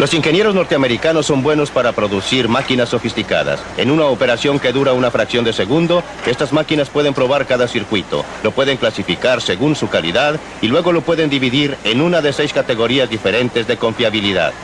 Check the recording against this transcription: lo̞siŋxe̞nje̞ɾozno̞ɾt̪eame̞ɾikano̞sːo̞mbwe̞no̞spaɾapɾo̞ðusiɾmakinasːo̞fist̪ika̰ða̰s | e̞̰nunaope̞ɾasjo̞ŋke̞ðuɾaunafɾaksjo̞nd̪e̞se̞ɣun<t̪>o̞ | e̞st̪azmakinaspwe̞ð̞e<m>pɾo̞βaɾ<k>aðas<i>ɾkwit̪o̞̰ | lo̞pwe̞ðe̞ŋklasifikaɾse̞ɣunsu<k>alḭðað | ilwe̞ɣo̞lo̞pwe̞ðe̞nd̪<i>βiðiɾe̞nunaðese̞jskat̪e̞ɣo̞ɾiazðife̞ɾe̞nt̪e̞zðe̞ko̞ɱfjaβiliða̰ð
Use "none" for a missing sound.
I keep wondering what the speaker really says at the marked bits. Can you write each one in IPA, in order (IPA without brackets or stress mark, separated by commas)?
d̪, m, k, i, k, i